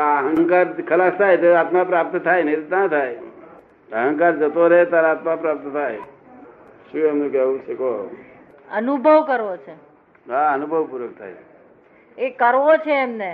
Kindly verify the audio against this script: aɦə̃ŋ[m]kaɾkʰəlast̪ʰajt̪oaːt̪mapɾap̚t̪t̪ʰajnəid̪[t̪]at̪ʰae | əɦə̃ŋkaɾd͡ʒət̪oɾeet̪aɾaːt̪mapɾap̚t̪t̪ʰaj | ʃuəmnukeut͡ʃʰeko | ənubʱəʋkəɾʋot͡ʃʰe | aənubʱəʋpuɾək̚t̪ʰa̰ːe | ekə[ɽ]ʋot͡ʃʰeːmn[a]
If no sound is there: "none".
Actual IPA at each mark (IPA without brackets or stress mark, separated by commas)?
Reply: ŋ, t̪, ɾ, e